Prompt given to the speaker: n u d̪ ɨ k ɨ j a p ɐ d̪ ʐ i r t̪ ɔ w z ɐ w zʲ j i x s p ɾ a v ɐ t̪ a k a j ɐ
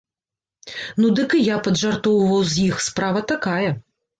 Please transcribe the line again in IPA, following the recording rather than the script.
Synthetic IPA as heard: n u d̪ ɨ k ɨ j a p ɐ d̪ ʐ a r t̪ ɔ w v ɐ w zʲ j i x s p ɾ a v ɐ t̪ a k a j ɐ